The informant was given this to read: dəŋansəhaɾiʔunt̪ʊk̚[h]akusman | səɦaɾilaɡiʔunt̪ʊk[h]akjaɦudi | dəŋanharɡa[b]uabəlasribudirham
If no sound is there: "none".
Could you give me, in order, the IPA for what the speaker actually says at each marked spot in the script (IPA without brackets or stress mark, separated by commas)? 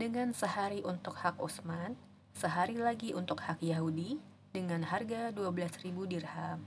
h, h, d